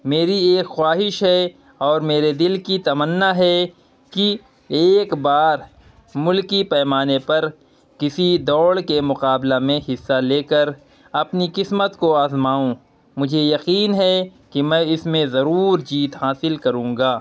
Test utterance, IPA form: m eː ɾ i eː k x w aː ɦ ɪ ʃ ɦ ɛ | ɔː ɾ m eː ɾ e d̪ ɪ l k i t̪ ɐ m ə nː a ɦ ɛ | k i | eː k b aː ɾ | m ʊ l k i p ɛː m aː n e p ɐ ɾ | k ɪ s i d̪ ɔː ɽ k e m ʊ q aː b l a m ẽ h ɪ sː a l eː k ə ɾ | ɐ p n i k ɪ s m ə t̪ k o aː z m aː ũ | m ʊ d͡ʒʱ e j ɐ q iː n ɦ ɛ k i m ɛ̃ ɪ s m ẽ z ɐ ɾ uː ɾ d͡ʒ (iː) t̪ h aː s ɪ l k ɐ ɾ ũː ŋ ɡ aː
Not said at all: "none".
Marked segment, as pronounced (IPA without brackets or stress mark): iː